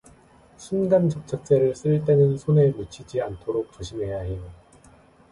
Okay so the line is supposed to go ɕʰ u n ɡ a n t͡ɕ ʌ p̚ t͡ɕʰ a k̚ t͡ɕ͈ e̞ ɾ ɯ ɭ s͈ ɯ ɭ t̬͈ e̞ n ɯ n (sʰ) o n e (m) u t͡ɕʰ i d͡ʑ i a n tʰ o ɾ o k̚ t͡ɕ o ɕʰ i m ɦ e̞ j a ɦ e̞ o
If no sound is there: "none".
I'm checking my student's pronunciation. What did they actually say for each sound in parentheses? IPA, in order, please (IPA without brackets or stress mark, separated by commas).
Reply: sʰ, m